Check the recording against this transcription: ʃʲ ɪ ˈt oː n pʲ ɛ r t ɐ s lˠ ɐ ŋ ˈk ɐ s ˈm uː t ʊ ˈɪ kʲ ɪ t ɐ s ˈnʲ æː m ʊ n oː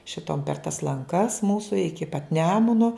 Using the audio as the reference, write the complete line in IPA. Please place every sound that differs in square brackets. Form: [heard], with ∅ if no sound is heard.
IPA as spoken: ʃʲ ɪ ˈt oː [m] pʲ ɛ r t ɐ s lˠ ɐ ŋ ˈk ɐ s ˈm uː [s] ʊ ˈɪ kʲ ɪ [p] ɐ [t] ˈnʲ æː m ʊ n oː